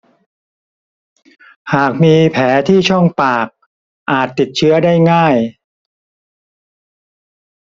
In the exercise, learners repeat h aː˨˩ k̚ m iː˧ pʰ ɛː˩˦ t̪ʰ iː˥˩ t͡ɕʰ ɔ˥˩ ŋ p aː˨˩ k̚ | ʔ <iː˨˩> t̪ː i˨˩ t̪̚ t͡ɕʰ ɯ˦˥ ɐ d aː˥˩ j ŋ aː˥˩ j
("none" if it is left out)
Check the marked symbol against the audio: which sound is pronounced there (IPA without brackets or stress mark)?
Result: aː˨˩